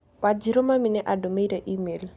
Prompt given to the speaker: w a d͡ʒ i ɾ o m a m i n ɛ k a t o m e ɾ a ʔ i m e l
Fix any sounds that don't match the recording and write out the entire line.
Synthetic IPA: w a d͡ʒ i ɾ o m a m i n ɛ ʔ a d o m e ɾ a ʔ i m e l

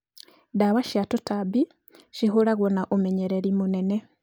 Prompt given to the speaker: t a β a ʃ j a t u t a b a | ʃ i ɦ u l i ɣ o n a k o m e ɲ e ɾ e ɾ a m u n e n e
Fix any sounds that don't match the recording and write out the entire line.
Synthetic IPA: d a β a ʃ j a t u t a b i | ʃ i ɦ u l a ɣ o n a ʔ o m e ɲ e ɾ e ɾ i m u n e n e

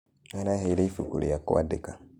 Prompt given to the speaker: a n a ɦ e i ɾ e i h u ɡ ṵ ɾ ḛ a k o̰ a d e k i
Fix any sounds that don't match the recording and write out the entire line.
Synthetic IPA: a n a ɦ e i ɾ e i f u k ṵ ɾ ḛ a k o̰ a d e k a

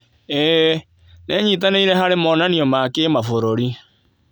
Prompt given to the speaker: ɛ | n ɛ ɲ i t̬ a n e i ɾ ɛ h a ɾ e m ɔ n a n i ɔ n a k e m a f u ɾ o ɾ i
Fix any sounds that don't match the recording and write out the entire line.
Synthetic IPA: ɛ | n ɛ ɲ i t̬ a n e i ɾ ɛ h a ɾ e m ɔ n a n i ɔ m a k e m a f o ɾ o ɾ i

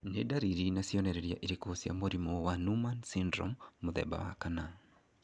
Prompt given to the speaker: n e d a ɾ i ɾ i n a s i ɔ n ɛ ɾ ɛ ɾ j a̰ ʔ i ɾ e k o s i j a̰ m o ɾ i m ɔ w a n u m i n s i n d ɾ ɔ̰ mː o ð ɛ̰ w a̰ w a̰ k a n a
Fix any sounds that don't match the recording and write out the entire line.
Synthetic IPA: n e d a ɾ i ɾ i n a s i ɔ n ɛ ɾ ɛ ɾ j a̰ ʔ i ɾ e k o s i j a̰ m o ɾ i m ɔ w a n u m a n s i n d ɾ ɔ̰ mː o ð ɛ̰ b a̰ w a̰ k a n a

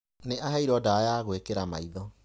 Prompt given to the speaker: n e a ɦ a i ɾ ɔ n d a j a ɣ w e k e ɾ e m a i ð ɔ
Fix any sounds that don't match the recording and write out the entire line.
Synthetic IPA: n e a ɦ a i ɾ ɔ d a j a ɣ w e k e ɾ a m a i ð ɔ

